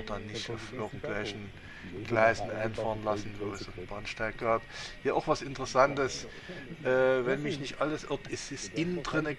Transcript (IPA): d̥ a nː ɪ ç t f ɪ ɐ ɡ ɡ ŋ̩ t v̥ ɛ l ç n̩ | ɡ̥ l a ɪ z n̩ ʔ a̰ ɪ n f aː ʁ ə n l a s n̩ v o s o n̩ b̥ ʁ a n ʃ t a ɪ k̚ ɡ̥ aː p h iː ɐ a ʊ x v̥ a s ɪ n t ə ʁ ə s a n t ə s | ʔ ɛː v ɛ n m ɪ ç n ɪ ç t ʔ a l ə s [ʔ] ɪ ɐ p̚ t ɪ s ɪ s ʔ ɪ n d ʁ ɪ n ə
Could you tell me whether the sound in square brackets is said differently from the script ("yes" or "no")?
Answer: no